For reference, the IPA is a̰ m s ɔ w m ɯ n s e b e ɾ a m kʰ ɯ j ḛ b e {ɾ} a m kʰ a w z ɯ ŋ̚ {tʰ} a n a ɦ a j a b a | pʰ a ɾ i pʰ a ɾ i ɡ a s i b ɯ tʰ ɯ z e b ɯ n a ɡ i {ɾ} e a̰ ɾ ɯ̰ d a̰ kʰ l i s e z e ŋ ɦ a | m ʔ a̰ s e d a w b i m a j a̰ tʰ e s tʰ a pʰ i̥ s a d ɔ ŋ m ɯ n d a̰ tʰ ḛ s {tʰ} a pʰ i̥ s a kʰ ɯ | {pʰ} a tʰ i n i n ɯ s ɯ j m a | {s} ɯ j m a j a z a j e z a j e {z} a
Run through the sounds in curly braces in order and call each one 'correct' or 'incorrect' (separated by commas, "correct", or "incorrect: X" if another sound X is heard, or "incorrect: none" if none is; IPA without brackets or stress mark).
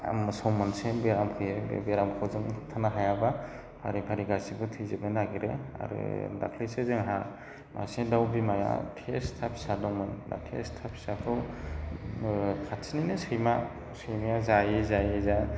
correct, correct, correct, correct, incorrect: kʰ, correct, correct